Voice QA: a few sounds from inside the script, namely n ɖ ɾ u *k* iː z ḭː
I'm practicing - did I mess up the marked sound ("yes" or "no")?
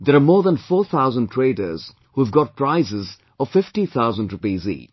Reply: yes